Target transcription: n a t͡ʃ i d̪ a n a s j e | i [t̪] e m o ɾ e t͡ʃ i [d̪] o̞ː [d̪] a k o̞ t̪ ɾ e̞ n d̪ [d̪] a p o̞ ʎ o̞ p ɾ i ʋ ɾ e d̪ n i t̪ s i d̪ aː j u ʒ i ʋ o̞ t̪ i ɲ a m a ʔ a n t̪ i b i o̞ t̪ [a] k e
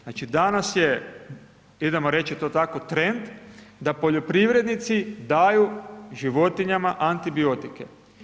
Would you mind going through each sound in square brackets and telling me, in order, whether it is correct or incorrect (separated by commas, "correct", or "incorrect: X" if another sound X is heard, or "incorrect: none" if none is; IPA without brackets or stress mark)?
incorrect: d̪, incorrect: t̪, incorrect: t̪, correct, incorrect: i